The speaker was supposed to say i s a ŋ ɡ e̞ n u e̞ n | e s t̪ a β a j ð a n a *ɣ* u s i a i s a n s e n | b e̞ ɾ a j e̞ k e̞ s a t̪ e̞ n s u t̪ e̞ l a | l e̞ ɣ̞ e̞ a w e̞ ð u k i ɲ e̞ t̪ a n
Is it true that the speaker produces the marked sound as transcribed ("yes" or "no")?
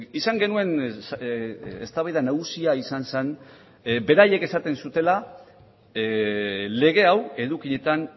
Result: yes